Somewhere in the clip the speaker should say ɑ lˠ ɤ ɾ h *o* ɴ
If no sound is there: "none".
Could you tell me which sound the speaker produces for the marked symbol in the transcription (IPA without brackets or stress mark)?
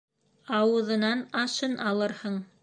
ɤ